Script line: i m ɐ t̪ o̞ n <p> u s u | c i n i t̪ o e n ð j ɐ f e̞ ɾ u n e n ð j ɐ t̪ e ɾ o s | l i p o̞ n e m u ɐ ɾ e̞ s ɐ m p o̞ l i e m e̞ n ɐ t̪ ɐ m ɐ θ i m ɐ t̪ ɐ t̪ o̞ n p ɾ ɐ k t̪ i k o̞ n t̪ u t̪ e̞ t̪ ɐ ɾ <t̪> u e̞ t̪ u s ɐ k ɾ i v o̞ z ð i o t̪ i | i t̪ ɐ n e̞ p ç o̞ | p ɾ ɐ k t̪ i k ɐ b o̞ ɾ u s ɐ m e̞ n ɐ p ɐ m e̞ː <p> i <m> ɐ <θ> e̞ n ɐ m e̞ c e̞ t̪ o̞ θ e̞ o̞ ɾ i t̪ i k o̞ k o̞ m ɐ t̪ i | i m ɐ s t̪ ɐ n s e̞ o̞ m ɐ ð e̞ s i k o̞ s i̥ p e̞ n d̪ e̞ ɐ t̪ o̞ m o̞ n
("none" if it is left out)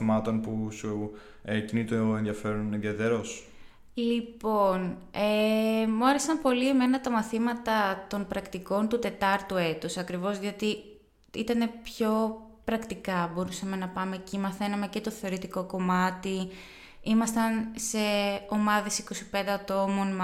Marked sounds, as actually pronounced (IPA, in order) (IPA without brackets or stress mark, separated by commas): p, t̪, c, m, θ